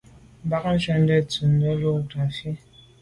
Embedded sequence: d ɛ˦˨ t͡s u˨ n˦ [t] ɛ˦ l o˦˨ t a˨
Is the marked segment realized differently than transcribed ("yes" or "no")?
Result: yes